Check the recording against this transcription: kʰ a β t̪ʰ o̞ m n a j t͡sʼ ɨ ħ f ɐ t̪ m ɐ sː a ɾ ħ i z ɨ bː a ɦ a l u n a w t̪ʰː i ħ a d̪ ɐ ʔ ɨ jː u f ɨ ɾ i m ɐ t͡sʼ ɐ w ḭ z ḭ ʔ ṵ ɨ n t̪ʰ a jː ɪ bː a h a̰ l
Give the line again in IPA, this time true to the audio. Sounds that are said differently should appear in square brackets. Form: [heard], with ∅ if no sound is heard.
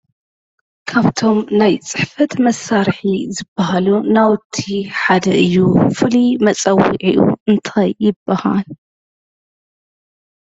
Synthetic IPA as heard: kʰ a β t̪ʰ o̞ m n a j t͡sʼ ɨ ħ f ɐ t̪ m ɐ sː a ɾ ħ i z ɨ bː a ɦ a l u n a w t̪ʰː i ħ a d̪ ɐ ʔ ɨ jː u f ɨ [l] i m ɐ t͡sʼ ɐ w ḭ [ʕ] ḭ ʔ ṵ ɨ n t̪ʰ a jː ɪ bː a h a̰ l